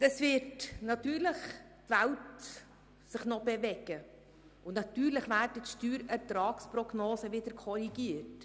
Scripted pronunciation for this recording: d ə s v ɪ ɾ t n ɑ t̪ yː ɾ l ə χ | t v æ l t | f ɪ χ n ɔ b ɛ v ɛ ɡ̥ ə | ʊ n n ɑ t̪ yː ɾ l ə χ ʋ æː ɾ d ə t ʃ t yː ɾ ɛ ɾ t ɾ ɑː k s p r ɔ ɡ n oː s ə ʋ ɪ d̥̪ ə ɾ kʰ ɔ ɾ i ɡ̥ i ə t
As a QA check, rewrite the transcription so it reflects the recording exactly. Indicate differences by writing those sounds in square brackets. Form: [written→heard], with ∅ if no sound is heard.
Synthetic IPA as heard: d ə s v ɪ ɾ t n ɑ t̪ yː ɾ l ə χ | t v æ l t | [f→s] ɪ χ n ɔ b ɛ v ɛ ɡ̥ ə | ʊ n n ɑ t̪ yː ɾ l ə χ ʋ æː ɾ d ə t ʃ t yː ɾ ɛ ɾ t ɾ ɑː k s p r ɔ ɡ n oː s ə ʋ ɪ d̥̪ ə ɾ kʰ ɔ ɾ i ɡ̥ i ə t